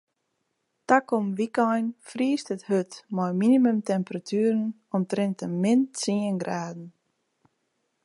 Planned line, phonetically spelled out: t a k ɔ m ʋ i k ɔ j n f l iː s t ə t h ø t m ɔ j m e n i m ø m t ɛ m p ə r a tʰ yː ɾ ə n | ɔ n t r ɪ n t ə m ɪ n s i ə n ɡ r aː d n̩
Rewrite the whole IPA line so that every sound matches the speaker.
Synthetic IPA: t a k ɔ m ʋ i k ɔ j n f r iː s t ə t h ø t m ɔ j m i n i m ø m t ɛ m p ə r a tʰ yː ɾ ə n | ɔ m t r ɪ n t ə m ɪ n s i ə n ɡ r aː d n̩